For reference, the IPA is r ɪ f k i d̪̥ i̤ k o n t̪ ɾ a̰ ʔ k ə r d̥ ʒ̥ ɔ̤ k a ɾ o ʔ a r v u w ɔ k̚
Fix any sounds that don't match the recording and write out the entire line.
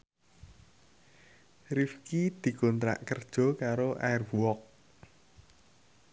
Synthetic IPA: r i f k i d̪̥ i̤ k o n t̪ ɾ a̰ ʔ k ə r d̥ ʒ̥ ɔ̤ k a ɾ o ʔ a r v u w ɔ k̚